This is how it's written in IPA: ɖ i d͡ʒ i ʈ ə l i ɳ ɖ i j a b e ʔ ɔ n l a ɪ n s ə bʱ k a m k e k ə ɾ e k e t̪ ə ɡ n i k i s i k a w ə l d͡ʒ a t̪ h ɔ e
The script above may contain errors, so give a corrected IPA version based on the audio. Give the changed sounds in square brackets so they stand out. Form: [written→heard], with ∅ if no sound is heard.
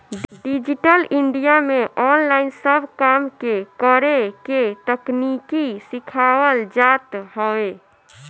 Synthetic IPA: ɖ i d͡ʒ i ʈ ə l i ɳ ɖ i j a [b→m] e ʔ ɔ n l a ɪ n s ə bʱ k a m k e k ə ɾ e k e t̪ ə [ɡ→k] n i k i s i [k→kʰ] a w ə l d͡ʒ a t̪ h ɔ e